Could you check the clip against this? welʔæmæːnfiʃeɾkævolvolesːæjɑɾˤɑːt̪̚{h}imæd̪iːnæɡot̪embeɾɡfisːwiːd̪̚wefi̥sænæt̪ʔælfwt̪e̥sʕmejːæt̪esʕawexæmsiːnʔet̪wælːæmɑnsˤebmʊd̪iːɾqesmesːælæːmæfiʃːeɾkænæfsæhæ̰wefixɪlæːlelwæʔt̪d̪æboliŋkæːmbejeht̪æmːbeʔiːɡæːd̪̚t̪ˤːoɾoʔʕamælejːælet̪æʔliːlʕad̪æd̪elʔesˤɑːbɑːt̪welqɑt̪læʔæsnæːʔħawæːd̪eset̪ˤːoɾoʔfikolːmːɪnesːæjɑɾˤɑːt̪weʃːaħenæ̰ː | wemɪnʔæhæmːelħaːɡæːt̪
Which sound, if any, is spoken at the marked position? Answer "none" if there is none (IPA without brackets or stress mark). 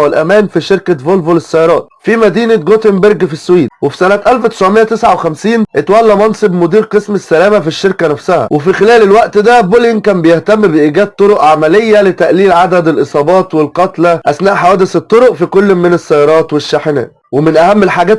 f